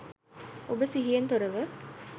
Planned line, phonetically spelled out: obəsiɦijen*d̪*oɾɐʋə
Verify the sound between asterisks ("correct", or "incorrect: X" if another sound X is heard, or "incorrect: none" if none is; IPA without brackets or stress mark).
incorrect: t̪